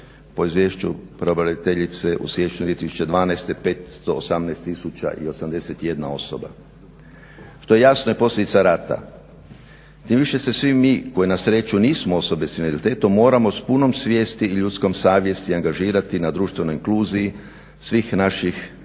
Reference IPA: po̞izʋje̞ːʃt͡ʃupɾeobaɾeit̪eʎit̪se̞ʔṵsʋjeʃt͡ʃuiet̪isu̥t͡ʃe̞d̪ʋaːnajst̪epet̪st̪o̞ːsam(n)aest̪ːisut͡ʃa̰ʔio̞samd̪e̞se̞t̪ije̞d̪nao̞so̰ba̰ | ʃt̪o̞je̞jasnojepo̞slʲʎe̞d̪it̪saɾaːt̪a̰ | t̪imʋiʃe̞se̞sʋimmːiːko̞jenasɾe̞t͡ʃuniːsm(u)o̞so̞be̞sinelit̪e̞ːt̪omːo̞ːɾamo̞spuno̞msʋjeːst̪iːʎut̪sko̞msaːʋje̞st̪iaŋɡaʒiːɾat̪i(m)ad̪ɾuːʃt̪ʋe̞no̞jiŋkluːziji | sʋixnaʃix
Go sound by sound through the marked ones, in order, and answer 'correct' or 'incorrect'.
correct, incorrect, incorrect

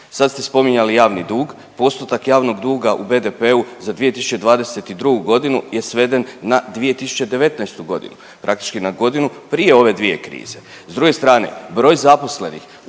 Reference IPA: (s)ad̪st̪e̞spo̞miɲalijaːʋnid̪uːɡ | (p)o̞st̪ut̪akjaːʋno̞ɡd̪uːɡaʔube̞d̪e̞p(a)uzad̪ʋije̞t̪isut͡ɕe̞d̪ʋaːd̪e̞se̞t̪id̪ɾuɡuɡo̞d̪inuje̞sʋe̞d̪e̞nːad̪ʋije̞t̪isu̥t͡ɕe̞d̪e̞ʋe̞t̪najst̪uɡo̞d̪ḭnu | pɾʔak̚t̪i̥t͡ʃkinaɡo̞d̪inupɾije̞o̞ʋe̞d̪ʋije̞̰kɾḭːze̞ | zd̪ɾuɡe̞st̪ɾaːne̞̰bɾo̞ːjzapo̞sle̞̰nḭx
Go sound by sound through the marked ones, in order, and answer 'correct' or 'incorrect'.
correct, correct, incorrect

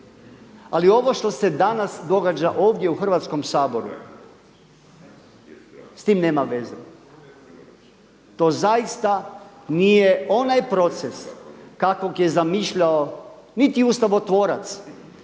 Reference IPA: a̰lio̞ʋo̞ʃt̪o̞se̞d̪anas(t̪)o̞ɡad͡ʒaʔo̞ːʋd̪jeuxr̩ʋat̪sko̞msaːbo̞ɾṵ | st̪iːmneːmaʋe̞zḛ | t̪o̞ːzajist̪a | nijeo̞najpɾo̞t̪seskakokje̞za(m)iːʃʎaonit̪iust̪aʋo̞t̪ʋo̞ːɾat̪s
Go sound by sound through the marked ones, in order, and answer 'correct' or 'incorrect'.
incorrect, correct

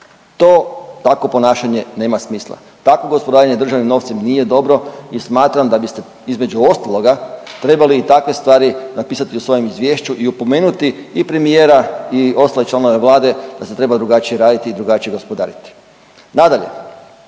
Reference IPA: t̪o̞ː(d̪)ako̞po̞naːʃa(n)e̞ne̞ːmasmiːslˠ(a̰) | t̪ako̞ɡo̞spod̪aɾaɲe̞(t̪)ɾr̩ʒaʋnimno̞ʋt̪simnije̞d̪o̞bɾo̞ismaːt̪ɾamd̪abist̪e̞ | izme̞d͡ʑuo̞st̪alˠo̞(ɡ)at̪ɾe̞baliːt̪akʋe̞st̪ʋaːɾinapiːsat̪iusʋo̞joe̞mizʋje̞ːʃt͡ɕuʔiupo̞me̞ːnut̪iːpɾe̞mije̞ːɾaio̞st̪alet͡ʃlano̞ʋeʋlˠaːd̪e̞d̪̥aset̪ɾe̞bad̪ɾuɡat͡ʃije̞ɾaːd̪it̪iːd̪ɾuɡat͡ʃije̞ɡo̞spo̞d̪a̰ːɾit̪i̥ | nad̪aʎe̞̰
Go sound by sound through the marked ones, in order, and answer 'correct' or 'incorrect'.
incorrect, incorrect, correct, incorrect, correct

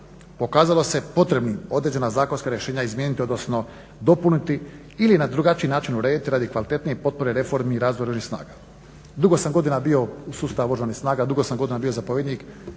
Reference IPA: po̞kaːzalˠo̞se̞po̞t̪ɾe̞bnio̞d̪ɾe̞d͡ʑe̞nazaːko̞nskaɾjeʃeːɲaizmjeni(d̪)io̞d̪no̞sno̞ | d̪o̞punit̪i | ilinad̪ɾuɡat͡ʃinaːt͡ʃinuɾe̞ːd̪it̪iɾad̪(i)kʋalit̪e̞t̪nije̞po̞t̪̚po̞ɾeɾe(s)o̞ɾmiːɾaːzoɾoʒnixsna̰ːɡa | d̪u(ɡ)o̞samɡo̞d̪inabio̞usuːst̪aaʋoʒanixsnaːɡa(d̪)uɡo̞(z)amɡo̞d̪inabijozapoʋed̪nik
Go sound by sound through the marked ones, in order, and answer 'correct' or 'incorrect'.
incorrect, correct, incorrect, correct, correct, incorrect

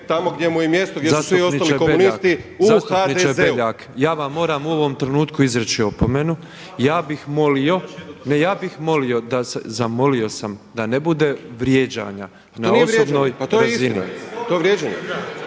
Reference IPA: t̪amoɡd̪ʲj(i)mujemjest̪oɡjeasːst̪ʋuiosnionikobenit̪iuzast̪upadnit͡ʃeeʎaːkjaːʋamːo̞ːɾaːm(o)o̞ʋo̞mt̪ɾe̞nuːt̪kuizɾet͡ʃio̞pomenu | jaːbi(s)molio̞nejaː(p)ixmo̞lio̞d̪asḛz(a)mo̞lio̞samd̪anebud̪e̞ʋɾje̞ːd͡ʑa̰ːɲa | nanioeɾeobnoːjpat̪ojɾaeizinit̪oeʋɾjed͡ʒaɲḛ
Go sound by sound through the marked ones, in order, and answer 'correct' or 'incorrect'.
incorrect, incorrect, incorrect, incorrect, correct

